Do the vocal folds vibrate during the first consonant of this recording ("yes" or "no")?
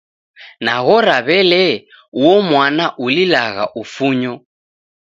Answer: yes